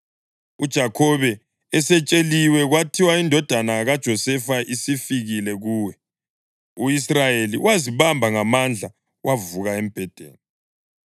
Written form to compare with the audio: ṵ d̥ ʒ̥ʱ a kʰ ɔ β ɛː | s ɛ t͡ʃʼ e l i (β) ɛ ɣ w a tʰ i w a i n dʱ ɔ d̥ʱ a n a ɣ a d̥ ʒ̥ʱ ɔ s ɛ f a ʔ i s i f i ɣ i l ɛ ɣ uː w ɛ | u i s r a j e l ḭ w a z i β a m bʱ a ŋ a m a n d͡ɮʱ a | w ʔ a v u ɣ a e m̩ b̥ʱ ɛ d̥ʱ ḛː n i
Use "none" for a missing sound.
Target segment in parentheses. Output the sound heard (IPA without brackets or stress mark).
w